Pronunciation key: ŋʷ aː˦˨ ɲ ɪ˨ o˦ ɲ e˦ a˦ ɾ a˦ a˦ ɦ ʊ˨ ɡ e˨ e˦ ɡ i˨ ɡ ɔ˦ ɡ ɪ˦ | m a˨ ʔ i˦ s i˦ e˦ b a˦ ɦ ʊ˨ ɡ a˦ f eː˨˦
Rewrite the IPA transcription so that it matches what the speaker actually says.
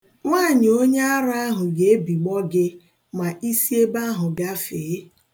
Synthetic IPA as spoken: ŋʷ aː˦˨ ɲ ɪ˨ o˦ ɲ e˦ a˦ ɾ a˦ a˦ ɦ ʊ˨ ɡ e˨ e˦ b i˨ ɡ͡b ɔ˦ ɡ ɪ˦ | m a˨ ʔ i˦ s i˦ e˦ b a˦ ɦ ʊ˨ ɡ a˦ f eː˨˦